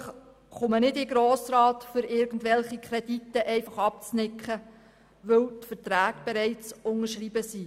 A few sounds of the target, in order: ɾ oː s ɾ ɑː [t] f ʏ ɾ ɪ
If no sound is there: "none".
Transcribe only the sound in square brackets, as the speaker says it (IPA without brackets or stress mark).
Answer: t